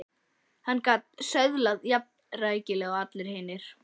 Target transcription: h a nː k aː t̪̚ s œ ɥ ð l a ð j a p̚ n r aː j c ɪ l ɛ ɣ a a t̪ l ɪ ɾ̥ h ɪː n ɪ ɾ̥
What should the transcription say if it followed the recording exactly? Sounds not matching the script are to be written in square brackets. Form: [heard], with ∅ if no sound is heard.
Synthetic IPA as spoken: h a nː k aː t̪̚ s œ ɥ ð l a ð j a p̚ n r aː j c ɪ l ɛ ɣ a a t̪ l ɪ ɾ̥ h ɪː n ɪ ɾ̥